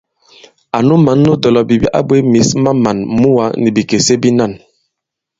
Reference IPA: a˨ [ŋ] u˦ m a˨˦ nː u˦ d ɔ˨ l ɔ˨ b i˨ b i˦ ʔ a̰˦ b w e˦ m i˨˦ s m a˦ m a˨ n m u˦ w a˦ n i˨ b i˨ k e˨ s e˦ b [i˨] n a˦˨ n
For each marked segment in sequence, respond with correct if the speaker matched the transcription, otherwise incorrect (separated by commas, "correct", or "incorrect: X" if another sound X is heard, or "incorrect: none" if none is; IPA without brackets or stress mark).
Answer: incorrect: n, incorrect: i˦